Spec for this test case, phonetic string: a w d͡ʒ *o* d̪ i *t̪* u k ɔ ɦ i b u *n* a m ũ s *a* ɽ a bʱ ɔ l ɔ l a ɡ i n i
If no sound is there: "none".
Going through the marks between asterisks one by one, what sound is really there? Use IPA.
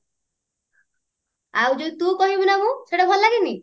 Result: o, t̪, n, e

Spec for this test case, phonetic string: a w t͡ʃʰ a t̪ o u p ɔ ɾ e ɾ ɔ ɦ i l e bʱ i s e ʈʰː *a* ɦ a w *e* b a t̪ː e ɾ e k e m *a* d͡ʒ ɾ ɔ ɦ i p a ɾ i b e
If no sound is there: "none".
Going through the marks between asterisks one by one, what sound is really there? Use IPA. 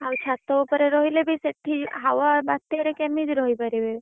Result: i, a, i

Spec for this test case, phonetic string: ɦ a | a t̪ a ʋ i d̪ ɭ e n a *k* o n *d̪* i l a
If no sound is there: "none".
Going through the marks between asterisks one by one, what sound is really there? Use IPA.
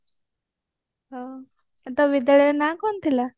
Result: k, t̪

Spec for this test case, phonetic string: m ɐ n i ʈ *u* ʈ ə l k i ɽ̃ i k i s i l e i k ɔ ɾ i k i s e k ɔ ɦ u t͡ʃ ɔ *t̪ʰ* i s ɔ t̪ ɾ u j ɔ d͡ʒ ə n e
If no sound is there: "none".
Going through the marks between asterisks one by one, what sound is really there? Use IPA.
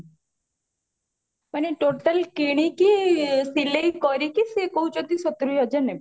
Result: o, t̪

